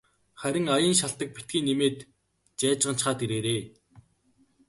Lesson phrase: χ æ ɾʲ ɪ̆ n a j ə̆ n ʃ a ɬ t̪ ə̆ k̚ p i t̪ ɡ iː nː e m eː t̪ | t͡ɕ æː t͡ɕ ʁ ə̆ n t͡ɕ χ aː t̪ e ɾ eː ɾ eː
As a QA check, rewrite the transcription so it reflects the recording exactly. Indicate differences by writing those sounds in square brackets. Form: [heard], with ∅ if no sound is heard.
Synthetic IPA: χ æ ɾʲ ɪ̆ [ŋ] a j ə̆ n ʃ a ɬ t̪ ə̆ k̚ p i t̪ ɡ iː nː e m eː t̪ | t͡ɕ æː t͡ɕ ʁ ə̆ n t͡ɕ χ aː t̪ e ɾ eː ɾ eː

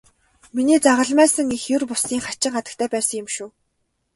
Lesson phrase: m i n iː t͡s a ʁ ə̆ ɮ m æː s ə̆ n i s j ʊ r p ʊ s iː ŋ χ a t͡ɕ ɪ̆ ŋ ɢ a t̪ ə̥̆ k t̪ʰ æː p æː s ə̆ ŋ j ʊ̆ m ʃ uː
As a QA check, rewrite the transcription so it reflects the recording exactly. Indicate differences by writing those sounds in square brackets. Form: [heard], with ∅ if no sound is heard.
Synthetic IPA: m i n iː t͡s a ʁ ə̆ ɮ m æː s ə̆ [ŋ] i [x] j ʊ r p ʊ s iː ŋ χ a t͡ɕ ɪ̆ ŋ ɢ a t̪ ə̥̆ k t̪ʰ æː p æː s ə̆ ŋ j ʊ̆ m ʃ uː

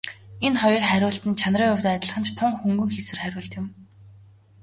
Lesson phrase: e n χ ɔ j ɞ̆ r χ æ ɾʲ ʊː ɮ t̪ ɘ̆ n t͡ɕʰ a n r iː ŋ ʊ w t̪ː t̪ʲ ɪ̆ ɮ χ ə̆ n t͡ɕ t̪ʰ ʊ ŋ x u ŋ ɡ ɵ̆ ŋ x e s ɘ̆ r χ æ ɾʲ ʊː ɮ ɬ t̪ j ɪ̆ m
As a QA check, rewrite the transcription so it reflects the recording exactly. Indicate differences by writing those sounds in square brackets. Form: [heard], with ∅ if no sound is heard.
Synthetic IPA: e n χ ɔ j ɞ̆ r χ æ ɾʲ ʊː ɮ t̪ ɘ̆ n t͡ɕʰ a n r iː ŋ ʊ w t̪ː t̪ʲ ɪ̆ ɮ χ ə̆ n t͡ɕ t̪ʰ ʊ ŋ x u ŋ ɡ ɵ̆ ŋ x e s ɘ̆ r χ æ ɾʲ ʊː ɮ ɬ t̪ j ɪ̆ m

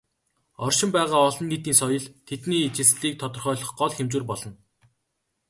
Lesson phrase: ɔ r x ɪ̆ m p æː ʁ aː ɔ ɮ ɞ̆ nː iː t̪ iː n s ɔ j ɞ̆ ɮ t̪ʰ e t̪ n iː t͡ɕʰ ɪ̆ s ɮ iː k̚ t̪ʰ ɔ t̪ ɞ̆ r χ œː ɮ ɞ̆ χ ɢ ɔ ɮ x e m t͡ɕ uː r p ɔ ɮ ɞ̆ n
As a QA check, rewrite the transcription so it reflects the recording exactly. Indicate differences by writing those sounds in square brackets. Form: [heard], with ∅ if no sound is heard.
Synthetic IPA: ɔ r [ʃ] ɪ̆ m p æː ʁ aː ɔ ɮ ɞ̆ nː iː t̪ iː n s ɔ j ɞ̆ ɮ t̪ʰ e t̪ n iː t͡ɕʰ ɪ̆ s ɮ iː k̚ t̪ʰ ɔ t̪ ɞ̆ r χ œː ɮ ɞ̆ χ ɢ ɔ ɮ x e m t͡ɕ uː r p ɔ ɮ ɞ̆ n

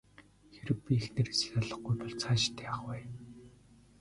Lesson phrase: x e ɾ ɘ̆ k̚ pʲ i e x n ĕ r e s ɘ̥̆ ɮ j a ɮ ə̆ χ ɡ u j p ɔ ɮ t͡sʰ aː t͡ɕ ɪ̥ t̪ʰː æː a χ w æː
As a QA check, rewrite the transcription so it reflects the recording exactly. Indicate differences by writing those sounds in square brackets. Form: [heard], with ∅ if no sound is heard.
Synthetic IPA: x e ɾ ɘ̆ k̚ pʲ i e x n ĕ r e s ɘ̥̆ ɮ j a ɮ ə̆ χ ɡ u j p ɔ ɮ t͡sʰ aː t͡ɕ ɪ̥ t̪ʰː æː a χ w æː

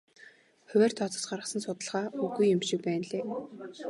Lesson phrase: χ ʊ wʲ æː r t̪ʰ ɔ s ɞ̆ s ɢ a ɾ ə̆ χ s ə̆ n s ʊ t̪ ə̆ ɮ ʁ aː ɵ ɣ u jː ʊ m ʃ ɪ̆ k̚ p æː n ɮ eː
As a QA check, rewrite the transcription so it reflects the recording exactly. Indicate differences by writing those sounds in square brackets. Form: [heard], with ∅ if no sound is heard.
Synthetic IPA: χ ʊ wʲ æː r t̪ʰ ɔ [t͡s] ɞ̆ s ɢ a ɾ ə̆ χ s ə̆ n s ʊ t̪ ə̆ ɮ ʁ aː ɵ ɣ u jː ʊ m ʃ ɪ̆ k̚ p æː n ɮ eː

